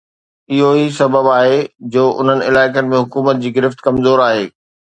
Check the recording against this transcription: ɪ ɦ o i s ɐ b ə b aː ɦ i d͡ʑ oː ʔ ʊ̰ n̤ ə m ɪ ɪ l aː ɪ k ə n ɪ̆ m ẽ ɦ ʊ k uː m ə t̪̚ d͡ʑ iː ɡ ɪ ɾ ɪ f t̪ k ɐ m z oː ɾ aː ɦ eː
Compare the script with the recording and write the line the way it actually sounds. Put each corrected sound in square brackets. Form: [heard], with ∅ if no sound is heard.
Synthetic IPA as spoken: ɪ ɦ o i s ɐ b ə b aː ɦ [e] d͡ʑ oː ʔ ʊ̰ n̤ ə [n] ɪ ɪ l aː ɪ k ə n ɪ̆ m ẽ ɦ ʊ k uː m ə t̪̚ d͡ʑ iː ɡ ɪ ɾ ɪ f t̪ k ɐ m z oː ɾ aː ɦ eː